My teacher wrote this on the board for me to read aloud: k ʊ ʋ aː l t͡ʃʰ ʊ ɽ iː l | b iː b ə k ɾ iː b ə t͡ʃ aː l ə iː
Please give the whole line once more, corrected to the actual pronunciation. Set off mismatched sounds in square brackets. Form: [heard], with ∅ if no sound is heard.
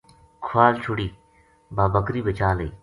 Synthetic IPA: [kʰ] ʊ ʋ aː l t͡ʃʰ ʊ ɽ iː [∅] | b [aː] b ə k ɾ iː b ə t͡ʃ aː l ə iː